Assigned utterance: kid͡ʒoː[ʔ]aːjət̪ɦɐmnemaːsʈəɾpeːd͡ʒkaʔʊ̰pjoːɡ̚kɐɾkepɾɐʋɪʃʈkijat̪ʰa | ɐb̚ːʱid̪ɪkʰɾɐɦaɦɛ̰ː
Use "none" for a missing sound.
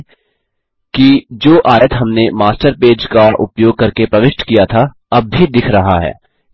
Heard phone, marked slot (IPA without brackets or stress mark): ʔ